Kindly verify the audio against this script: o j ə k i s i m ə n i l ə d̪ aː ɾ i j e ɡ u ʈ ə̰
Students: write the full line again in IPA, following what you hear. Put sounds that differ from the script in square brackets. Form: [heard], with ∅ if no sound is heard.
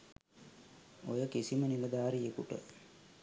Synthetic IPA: o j ə k i s i m ə n i l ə d̪ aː ɾ i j e [k] u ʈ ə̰